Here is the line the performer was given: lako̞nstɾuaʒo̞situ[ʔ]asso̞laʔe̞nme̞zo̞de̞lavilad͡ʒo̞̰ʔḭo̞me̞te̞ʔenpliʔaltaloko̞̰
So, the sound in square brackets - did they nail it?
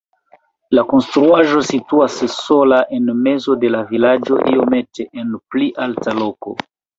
no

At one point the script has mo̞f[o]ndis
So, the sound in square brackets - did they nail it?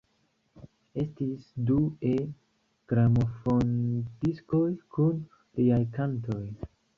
yes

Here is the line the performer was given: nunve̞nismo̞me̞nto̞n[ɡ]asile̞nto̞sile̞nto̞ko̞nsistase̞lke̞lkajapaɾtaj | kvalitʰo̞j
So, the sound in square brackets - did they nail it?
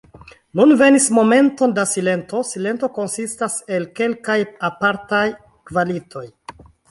no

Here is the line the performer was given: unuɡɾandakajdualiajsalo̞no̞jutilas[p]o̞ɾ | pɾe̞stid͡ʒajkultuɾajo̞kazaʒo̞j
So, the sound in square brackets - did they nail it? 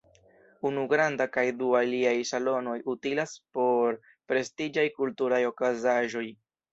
yes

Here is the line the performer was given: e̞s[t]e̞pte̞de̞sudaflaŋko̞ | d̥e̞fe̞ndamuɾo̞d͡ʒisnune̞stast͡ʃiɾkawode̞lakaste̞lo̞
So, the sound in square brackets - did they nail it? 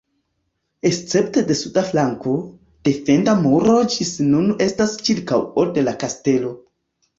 no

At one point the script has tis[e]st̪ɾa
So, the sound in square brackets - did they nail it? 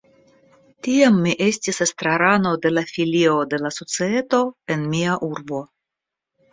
yes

